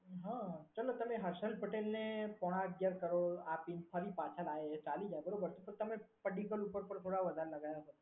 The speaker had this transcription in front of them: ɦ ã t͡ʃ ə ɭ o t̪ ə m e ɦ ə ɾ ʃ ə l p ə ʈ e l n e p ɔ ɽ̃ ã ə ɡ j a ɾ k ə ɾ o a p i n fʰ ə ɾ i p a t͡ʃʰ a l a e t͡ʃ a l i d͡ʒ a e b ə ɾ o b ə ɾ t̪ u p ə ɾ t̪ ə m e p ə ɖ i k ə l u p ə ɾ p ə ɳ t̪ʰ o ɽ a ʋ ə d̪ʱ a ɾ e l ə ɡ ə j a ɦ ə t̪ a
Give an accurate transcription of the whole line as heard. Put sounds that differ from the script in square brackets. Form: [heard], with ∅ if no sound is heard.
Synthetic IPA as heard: ɦ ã t͡ʃ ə [l] o t̪ ə m e ɦ ə ɾ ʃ ə l p ə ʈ e l n e p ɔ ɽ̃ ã ə ɡ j a ɾ k ə ɾ o a p i n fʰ ə ɾ i p a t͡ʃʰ a l a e t͡ʃ a l i d͡ʒ a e b ə ɾ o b ə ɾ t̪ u p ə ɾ t̪ ə m e p ə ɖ i k ə l u p ə ɾ p ə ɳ t̪ʰ o ɽ a ʋ ə d̪ʱ a ɾ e l ə ɡ [a] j a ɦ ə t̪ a